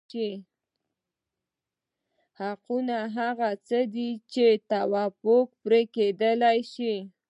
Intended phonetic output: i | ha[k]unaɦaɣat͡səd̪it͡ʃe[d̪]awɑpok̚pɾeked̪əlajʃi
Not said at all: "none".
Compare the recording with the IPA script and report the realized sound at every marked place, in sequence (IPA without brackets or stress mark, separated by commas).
q, t̪